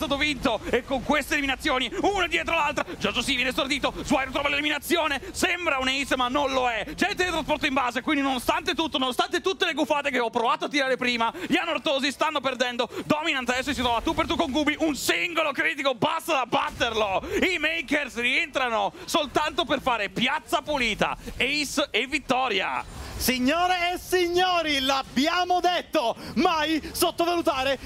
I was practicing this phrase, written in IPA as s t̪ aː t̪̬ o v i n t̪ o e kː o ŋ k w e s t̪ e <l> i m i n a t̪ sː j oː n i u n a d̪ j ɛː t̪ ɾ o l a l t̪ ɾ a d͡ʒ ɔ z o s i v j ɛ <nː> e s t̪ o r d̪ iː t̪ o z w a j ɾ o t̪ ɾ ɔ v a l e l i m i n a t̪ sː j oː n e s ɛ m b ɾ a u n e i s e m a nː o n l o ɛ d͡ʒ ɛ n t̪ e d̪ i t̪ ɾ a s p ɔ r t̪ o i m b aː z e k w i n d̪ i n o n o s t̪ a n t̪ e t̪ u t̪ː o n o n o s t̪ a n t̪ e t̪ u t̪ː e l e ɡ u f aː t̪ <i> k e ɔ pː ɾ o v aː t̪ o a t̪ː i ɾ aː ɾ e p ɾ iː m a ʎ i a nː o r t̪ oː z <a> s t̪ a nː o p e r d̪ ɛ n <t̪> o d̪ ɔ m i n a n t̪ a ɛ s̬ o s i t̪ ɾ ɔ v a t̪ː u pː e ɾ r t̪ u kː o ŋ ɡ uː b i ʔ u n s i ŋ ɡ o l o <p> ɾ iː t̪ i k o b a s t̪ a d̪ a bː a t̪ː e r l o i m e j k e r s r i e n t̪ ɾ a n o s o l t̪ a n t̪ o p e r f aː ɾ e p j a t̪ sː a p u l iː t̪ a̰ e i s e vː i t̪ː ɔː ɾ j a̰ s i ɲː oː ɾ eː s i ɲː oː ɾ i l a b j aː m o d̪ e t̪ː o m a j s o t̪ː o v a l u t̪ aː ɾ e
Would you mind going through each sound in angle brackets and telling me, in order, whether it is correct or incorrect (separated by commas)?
correct, incorrect, incorrect, incorrect, incorrect, incorrect